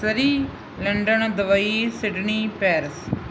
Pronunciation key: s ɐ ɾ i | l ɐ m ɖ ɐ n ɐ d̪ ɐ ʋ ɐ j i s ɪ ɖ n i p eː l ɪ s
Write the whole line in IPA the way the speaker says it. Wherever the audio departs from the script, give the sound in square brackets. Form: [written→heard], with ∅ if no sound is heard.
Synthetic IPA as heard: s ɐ ɾ i | l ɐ [m→ɳ] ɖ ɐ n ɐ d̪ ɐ ʋ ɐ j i s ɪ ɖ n i p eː [l→ɾ] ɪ s